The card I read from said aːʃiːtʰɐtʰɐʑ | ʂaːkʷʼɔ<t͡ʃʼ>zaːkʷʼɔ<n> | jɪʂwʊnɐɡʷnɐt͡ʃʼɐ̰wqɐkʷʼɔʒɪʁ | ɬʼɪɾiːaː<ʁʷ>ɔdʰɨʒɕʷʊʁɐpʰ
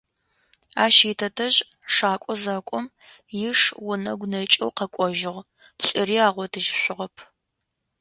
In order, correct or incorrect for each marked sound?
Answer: incorrect: none, incorrect: m, correct

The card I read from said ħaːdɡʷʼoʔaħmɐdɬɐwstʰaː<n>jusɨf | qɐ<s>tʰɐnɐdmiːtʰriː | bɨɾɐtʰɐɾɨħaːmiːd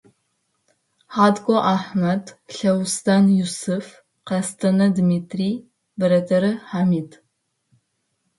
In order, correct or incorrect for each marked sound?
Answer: correct, correct

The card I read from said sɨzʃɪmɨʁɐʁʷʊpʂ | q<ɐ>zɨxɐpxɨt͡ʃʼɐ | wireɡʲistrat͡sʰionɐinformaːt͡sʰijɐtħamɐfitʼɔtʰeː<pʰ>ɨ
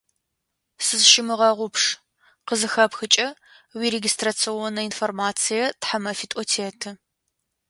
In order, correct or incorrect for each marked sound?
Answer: incorrect: ə, incorrect: tʰ

